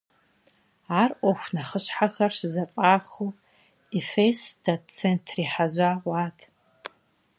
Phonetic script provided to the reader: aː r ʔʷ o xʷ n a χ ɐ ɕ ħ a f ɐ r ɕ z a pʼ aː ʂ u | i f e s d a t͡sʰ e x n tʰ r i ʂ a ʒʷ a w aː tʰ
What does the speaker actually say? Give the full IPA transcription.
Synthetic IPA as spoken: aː r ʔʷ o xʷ n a χ ə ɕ ħ a x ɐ r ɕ z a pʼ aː x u | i f e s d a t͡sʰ e n tʰ r i ħ a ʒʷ a w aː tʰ